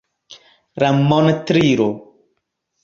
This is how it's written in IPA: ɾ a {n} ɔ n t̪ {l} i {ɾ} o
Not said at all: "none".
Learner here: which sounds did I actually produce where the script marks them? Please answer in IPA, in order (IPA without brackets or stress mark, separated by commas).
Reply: m, ɾ, ɾ